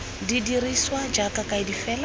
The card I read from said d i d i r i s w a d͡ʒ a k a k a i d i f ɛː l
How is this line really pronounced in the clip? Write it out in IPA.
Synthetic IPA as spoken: d i d i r i s w a d͡ʒ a k a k a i d i f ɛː l